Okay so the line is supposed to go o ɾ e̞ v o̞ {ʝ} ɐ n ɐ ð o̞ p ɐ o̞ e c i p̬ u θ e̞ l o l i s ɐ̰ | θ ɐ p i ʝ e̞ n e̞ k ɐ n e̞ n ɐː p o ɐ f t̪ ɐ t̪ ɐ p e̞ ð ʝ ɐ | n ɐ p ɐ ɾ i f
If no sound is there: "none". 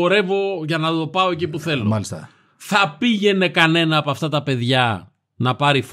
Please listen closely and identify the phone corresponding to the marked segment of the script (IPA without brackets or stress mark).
ʝ